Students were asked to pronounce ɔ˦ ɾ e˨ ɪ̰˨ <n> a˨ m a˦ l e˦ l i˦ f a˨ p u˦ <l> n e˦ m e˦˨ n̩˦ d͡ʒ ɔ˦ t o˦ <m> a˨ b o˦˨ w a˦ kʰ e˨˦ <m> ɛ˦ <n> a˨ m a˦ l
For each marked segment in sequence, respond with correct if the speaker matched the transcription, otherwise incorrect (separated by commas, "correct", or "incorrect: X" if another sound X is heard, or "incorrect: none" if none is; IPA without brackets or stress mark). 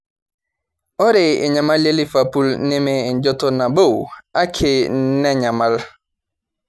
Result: incorrect: ɲ, correct, incorrect: n, incorrect: n, incorrect: ɲ